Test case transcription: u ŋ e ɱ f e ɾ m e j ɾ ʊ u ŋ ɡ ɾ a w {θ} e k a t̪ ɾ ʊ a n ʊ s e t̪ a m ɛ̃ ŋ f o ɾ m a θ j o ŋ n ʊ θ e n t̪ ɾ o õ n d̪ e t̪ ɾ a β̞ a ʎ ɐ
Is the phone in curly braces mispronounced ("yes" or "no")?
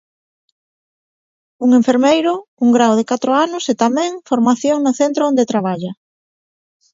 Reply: yes